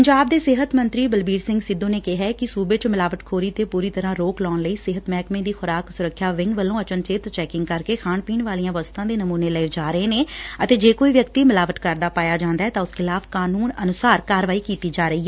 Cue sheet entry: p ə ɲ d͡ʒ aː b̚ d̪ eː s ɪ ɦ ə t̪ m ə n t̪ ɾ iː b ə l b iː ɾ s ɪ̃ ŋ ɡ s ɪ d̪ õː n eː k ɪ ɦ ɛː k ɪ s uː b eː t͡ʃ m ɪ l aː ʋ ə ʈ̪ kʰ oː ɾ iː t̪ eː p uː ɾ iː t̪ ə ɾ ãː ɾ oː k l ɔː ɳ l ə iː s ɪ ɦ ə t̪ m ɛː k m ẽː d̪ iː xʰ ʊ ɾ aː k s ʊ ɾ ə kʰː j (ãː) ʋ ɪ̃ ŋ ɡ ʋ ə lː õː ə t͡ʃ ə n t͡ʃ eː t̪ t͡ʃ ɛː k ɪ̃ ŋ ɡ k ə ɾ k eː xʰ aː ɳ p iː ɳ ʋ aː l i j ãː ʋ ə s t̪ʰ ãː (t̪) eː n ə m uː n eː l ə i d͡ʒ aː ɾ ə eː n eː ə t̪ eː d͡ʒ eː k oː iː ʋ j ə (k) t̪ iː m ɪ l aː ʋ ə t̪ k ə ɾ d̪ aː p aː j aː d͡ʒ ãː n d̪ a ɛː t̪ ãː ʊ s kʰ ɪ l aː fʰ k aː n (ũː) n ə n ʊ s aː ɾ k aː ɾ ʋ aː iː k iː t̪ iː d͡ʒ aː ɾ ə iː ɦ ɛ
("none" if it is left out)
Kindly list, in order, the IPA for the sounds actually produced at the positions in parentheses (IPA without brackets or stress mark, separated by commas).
aː, d̪, k, uː